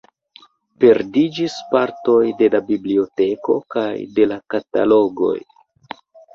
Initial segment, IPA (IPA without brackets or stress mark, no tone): p